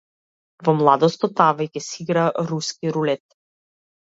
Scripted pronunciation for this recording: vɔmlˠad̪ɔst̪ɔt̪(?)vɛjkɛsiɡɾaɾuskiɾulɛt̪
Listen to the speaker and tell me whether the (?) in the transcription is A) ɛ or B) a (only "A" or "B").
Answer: B